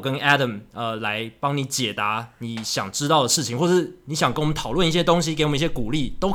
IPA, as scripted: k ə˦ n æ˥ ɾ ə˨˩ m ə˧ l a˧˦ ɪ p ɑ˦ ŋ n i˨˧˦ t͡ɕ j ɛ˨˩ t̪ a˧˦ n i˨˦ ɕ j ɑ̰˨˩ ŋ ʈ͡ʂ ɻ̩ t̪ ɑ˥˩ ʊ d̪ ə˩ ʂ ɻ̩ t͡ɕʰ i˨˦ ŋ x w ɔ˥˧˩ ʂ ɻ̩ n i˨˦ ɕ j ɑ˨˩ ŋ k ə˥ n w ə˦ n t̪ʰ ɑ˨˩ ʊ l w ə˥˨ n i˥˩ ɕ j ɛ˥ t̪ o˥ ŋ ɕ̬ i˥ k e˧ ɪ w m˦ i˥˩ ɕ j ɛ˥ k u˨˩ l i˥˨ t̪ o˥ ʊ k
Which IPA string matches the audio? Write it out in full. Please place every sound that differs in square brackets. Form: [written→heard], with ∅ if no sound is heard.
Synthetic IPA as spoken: k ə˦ n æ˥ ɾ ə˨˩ m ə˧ l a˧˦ ɪ p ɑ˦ ŋ n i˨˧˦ t͡ɕ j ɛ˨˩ t̪ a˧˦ n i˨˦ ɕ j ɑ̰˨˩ ŋ ʈ͡ʂ ɻ̩ t̪ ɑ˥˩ ʊ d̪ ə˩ ʂ ɻ̩ t͡ɕʰ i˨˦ ŋ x w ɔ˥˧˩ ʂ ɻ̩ n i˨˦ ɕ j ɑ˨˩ ŋ k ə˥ n w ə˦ n t̪ʰ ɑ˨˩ ʊ l w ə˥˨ n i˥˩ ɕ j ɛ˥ t̪ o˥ ŋ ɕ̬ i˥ k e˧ ɪ w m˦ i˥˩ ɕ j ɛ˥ k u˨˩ l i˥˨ t̪ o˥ ʊ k